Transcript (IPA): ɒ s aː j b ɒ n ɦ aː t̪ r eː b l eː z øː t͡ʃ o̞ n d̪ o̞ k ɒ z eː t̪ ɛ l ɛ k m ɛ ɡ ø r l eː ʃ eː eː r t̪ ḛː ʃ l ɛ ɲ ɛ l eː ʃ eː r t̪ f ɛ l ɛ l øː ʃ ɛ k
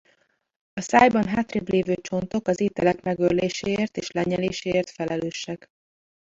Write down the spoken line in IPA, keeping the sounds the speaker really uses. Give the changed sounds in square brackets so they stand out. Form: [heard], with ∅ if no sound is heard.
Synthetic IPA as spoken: ɒ s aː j b ɒ n ɦ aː t̪ r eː b l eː [v] øː t͡ʃ o̞ n [t̪] o̞ k ɒ z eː t̪ ɛ l ɛ k m ɛ ɡ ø r l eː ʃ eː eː r t̪ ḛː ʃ l ɛ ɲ ɛ l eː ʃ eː r t̪ f ɛ l ɛ l øː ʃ ɛ k